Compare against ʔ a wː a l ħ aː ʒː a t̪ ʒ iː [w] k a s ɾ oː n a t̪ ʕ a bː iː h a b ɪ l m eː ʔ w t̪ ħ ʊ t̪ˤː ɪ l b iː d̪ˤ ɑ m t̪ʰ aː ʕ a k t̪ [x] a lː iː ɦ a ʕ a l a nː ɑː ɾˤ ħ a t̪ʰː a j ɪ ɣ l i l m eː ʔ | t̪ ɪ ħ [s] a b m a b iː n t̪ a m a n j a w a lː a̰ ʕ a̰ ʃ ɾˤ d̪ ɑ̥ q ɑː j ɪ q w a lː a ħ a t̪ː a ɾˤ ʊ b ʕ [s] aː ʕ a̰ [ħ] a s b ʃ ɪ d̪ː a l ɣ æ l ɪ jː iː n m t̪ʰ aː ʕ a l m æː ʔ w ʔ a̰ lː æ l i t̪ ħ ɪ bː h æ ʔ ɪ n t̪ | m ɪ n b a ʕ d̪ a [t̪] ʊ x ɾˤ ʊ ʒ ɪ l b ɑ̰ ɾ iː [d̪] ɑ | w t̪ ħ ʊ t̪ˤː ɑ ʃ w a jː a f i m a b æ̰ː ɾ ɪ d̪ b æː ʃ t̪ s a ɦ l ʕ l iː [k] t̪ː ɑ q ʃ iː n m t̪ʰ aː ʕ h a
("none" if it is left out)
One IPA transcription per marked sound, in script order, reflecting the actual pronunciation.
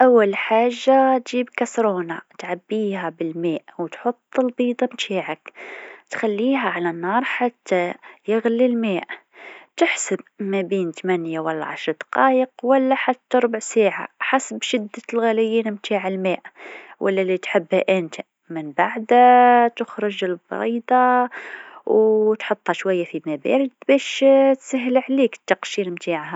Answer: b, x, s, s, ħ, t̪, d̪, k

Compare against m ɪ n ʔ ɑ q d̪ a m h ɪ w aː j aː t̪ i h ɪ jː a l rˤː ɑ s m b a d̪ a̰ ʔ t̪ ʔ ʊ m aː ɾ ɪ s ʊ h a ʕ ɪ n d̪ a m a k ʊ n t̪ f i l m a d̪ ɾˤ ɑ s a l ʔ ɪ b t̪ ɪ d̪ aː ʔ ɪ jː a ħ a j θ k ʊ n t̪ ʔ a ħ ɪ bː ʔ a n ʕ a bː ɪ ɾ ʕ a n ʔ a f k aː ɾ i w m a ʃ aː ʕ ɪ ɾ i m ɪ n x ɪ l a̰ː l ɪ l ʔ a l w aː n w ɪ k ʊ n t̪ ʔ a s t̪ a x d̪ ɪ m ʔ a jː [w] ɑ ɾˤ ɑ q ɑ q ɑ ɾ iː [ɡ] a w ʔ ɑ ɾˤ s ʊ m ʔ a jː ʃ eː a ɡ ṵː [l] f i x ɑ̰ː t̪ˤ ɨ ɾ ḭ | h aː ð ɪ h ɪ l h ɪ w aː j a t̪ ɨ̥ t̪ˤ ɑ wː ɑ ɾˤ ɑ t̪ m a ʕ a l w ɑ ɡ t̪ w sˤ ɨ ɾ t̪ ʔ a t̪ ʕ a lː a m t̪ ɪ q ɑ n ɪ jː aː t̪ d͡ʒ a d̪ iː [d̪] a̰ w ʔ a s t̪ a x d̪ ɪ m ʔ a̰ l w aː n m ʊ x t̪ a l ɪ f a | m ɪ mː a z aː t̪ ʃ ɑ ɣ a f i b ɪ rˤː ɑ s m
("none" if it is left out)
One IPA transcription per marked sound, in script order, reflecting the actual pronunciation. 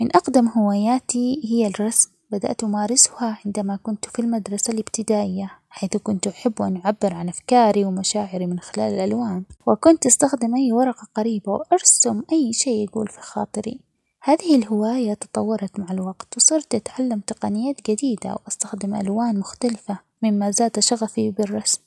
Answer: w, b, l, d̪

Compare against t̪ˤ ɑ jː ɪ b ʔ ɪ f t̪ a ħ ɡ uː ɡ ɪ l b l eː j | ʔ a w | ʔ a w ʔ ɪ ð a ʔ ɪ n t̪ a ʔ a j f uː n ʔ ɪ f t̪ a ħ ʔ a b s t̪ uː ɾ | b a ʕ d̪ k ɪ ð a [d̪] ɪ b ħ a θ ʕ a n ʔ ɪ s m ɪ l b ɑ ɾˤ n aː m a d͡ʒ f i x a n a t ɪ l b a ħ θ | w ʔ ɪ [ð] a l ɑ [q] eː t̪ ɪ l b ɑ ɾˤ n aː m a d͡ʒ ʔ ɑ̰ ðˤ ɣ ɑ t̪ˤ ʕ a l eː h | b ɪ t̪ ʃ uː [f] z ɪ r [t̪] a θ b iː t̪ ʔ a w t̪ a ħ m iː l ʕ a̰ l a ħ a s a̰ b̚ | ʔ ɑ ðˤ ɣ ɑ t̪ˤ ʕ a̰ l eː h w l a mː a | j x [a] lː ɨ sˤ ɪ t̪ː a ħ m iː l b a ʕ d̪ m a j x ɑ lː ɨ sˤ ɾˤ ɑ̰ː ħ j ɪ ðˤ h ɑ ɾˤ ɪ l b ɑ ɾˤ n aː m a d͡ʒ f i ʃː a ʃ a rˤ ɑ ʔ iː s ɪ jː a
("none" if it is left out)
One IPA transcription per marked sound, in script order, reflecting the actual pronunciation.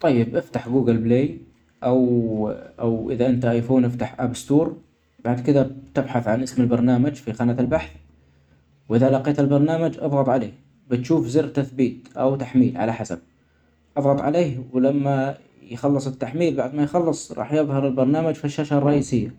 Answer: t̪, ð, q, f, t̪, ɑ

